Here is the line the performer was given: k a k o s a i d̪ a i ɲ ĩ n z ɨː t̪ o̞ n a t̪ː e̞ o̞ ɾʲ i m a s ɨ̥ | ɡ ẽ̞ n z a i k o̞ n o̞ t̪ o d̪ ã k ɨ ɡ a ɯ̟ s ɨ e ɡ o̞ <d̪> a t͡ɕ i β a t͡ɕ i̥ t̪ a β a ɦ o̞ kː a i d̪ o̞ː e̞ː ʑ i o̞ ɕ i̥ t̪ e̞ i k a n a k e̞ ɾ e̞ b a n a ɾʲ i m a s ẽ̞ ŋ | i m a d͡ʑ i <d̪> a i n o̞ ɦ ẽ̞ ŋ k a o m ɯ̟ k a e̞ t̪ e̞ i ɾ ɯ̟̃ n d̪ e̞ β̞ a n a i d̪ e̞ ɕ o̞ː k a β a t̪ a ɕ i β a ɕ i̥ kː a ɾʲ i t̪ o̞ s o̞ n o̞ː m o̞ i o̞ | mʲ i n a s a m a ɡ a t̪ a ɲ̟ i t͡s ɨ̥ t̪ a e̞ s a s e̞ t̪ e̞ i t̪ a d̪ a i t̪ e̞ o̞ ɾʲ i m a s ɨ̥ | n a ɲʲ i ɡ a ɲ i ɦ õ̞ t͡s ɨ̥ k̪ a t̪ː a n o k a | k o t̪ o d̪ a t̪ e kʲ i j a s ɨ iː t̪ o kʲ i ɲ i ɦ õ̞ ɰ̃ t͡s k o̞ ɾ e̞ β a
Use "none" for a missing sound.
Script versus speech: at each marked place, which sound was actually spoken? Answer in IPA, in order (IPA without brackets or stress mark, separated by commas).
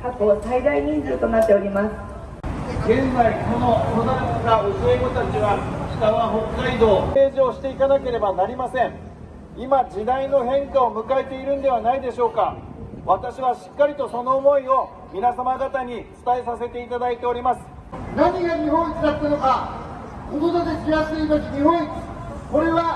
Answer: t̪, d̪